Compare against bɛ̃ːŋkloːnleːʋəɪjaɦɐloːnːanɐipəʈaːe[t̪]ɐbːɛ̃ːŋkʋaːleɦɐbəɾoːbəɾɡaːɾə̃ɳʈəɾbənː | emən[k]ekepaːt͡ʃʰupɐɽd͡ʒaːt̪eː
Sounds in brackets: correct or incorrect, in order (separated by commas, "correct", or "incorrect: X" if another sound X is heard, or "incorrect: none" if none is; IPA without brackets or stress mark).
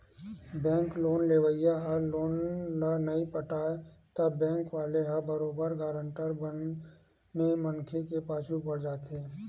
correct, incorrect: kʰ